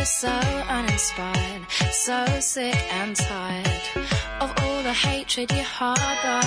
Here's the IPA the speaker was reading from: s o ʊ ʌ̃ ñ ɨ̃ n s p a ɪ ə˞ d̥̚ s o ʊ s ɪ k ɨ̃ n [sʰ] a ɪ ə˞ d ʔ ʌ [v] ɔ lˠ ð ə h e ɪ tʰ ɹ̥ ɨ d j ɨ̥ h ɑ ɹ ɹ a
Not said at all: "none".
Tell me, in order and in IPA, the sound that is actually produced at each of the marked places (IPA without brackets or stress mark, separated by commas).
tʰ, v